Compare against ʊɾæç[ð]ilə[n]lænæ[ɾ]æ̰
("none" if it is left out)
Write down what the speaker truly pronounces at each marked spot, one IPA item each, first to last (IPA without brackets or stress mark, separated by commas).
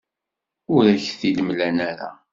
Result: θ, m, ɾ